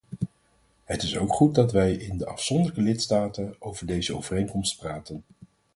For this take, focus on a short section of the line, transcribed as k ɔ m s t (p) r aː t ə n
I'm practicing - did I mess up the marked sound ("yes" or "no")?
no